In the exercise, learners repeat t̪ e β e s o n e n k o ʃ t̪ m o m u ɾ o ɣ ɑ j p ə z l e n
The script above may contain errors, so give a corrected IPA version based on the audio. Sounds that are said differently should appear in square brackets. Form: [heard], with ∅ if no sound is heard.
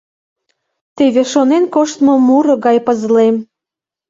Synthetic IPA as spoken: t̪ e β e [ʃ] o n e n k o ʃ t̪ m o m u ɾ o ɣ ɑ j p ə z l e [m]